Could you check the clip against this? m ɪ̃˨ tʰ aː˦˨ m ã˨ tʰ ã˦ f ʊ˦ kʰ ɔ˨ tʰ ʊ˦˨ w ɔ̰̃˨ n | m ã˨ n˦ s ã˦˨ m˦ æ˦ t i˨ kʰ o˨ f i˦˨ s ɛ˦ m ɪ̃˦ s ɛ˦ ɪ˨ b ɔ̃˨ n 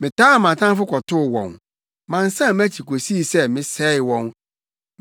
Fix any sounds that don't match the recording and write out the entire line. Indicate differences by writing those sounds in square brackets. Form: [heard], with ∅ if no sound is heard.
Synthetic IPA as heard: m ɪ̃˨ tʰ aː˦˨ m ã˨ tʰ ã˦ f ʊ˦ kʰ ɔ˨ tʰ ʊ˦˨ w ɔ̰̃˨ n | m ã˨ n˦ s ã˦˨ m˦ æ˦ [t͡ɕʰ] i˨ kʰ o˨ [s] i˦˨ s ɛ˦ m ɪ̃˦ s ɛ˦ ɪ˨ [w] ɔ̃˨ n